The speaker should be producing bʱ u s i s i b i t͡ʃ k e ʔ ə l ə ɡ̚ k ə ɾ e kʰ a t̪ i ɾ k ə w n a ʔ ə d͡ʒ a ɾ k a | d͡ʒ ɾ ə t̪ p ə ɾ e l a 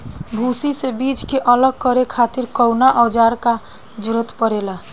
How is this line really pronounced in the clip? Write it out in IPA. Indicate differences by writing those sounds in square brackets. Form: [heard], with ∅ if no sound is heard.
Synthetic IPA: bʱ u s i s [e] b i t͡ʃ k e ʔ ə l ə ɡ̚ k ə ɾ e kʰ a t̪ i ɾ k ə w n a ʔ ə d͡ʒ a ɾ k a | d͡ʒ ɾ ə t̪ p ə ɾ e l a